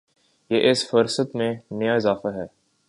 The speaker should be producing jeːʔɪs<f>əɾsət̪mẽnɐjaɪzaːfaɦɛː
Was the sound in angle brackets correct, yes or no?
yes